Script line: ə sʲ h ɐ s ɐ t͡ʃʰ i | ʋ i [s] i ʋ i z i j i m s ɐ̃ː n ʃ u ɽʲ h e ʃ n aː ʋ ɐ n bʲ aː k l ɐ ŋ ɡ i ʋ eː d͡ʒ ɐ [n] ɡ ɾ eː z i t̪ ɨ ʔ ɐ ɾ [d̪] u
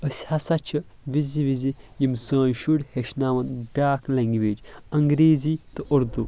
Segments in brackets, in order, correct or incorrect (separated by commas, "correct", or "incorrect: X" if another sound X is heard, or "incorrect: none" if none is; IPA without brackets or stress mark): incorrect: z, incorrect: ŋ, correct